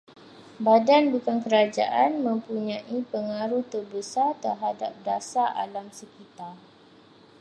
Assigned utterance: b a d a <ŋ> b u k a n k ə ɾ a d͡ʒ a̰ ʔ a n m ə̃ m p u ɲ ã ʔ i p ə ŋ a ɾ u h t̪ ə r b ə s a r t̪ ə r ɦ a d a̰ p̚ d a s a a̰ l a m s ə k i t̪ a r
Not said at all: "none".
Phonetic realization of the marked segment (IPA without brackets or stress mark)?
n